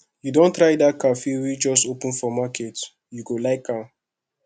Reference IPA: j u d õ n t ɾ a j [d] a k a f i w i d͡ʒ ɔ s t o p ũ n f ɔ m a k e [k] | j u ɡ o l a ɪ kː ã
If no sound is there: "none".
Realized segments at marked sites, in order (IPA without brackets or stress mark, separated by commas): d, t